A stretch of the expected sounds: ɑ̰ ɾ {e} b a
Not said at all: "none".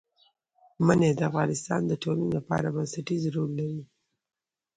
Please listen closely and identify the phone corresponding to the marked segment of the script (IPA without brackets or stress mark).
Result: a